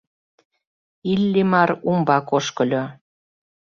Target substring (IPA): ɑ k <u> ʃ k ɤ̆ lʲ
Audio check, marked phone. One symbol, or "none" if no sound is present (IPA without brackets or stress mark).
o